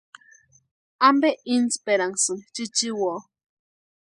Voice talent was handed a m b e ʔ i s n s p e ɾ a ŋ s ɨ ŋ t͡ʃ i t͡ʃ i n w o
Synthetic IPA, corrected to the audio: a m b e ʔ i n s p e ɾ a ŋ s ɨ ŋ t͡ʃ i t͡ʃ i w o

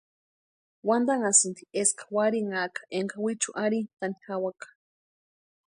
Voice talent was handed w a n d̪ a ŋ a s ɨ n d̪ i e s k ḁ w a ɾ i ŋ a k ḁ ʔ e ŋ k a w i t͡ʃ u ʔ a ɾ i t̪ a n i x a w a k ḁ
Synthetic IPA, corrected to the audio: w a n d̪ a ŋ a s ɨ n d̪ i e s k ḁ w a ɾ i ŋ a k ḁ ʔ e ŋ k a w i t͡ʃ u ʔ a ɾ i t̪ a n i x a w a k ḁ

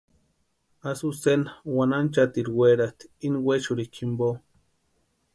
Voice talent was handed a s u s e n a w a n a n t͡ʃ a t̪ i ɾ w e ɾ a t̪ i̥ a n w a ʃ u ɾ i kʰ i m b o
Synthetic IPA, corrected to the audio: a s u s e n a w a n a n t͡ʃ a t̪ i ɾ w e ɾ a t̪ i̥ i n w e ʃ u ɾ i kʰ i m b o

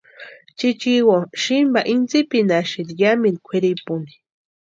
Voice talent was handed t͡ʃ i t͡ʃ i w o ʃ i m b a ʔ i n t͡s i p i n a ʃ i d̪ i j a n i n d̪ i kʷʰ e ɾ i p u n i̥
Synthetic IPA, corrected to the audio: t͡ʃ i t͡ʃ i w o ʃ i m b a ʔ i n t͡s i p i n a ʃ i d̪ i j a m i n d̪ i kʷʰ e ɾ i p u n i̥

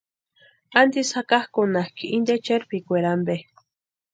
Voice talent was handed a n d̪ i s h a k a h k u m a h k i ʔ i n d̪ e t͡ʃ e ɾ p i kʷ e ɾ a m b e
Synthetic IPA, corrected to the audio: a n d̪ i s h a k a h k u n a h k i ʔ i n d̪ e t͡ʃ e ɾ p i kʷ e ɾ a m b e

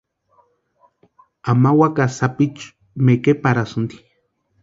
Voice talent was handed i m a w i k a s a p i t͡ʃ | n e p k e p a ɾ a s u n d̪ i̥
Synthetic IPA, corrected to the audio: a m a w a k a s a p i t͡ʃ | m e k e p a ɾ a s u n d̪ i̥

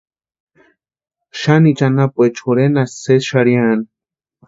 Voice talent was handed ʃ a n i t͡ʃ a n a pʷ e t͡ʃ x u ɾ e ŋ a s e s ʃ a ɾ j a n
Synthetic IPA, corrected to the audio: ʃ a n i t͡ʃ a n a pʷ e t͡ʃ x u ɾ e n a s e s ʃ a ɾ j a n

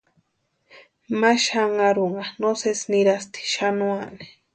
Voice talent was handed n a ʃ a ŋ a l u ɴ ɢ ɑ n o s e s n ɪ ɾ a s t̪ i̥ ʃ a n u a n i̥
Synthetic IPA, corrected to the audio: m a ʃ a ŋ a ɾ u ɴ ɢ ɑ n o s e s n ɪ ɾ a s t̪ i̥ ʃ a n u a n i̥

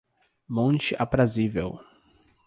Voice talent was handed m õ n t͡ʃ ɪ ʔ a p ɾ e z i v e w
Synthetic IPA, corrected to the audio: m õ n t͡ʃ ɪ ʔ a p ɾ a z i v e w

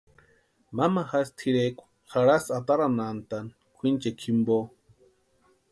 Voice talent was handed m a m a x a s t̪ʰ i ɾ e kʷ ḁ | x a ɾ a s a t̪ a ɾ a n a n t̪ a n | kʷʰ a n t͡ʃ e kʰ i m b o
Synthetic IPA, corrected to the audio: m a m a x a s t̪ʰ i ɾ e kʷ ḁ | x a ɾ a s a t̪ a ɾ a n a n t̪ a n | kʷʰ i n t͡ʃ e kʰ i m b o

